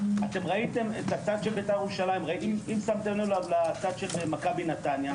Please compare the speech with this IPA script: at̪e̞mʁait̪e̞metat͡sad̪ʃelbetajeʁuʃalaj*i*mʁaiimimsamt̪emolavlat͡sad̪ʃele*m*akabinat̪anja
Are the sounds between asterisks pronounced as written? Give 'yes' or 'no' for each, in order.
yes, yes

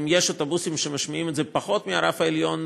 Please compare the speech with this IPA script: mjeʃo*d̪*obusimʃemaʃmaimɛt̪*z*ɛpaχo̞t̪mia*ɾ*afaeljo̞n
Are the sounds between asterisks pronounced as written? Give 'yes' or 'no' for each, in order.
no, yes, yes

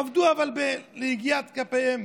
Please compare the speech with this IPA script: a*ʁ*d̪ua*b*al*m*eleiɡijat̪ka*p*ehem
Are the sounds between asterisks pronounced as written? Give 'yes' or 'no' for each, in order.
no, no, no, yes

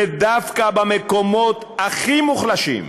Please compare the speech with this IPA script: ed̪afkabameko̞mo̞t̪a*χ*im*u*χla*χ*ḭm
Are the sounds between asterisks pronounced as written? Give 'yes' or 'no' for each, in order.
yes, yes, no

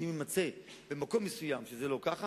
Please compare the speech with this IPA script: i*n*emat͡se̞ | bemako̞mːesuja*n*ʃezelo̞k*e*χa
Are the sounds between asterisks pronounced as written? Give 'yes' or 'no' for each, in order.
no, no, no

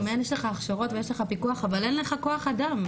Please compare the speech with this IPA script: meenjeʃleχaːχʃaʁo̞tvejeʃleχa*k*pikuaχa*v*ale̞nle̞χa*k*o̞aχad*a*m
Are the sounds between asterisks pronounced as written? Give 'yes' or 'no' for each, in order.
no, yes, yes, yes

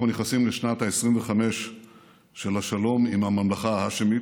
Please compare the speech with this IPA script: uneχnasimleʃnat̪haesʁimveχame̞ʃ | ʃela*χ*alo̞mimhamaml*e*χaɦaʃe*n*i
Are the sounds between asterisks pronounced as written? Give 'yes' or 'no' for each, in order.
no, no, no

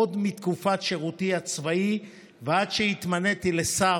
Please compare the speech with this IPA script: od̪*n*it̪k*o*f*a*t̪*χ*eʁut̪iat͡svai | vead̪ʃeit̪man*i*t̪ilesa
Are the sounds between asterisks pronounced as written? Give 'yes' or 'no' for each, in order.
no, no, yes, no, no

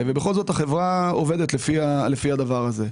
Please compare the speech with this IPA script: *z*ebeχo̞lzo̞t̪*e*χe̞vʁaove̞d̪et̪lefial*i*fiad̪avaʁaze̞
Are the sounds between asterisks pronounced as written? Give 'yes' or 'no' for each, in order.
no, no, no

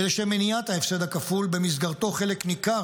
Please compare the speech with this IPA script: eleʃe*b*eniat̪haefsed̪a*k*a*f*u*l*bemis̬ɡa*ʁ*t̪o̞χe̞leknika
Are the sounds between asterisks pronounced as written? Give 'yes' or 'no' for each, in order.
no, yes, yes, yes, yes

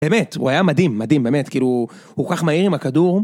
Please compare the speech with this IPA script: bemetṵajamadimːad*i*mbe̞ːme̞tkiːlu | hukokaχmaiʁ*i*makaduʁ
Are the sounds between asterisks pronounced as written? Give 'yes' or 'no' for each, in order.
yes, yes

